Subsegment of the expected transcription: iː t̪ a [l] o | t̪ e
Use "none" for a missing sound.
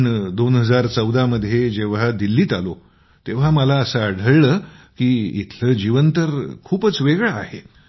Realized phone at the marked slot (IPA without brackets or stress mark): l